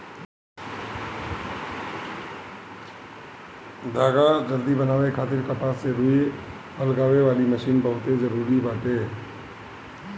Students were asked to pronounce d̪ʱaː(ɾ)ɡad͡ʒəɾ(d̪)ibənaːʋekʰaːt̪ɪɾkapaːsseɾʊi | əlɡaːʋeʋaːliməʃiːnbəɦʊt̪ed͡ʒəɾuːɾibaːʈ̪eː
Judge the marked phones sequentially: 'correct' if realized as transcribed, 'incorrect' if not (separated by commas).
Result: incorrect, correct